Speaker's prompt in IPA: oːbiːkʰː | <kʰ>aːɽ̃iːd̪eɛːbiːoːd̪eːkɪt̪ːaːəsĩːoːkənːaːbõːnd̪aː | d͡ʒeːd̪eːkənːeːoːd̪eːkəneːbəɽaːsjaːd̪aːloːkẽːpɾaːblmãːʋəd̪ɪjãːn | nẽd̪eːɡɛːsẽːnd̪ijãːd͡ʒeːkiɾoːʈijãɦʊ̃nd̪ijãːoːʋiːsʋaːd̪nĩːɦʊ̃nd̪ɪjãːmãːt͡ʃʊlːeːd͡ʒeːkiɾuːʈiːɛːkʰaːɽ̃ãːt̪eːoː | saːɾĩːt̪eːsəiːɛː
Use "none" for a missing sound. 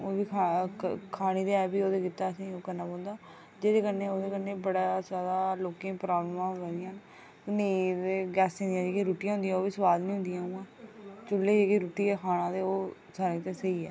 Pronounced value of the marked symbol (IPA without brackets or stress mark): kʰ